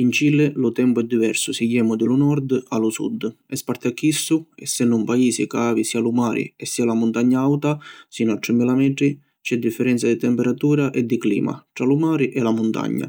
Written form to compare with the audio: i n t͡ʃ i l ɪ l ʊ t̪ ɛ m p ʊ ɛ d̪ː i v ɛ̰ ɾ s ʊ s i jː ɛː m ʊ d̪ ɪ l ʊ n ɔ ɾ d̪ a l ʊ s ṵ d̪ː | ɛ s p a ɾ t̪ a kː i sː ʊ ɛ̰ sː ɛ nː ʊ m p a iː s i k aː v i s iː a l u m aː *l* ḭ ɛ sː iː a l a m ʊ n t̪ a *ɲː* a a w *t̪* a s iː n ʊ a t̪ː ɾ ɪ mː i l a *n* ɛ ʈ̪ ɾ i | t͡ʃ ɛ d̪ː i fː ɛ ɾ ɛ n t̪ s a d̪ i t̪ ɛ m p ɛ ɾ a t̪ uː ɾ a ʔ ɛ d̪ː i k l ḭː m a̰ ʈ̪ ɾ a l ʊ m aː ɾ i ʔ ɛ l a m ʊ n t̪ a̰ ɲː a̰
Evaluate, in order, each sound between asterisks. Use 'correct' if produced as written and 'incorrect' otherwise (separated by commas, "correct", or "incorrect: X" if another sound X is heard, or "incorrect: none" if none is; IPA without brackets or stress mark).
incorrect: ɾ, correct, correct, incorrect: m